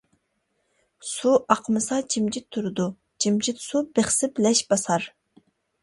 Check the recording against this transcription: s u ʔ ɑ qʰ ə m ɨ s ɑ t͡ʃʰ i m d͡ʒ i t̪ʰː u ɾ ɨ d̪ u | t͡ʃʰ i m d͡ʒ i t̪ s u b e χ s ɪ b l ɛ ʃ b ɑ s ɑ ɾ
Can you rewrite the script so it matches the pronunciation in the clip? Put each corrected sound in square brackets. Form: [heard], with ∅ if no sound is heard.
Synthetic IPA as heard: s u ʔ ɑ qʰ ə m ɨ s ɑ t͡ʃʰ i m d͡ʒ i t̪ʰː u ɾ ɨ d̪ u | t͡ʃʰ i m d͡ʒ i t̪ s u b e χ s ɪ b l ɛ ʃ b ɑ s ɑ ɾ